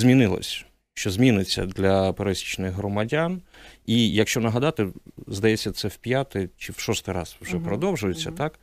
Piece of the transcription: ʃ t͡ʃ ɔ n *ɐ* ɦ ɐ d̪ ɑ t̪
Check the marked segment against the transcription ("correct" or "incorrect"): correct